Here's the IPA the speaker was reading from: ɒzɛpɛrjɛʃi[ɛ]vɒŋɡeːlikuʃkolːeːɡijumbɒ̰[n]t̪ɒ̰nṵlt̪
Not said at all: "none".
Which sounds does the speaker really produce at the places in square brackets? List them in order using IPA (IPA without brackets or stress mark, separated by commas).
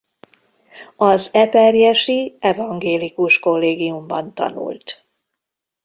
ɛ, n